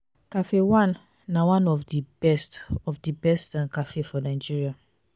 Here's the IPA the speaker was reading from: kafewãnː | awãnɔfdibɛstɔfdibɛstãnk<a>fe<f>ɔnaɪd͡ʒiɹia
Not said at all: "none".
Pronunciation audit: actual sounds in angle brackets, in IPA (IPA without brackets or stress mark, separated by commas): a, f